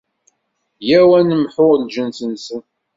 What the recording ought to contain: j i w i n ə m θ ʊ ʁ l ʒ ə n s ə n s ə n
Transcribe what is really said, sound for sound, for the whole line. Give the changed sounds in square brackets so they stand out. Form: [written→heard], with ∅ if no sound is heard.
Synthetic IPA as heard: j [i→æ] w [i→æ] n ə m [θ→ħ] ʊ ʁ l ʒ ə n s ə n s ə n